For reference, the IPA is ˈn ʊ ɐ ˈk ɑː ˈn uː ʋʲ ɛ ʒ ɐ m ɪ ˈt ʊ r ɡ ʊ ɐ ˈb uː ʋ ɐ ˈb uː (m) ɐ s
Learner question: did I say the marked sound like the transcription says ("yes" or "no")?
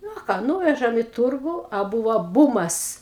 yes